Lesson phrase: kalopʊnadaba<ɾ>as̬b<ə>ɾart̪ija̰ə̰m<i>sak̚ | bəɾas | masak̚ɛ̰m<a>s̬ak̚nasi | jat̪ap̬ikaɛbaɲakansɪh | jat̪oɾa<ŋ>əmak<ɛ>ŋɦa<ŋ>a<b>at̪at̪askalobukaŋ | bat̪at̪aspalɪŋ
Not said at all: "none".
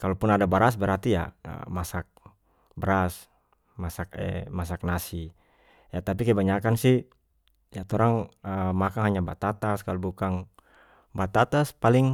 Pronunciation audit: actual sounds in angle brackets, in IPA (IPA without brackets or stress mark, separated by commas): ɾ, ə, a, a, ŋ, a, ɲ, b